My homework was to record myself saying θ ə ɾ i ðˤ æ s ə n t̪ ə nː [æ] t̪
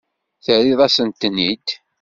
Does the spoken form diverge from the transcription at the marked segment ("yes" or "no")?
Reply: yes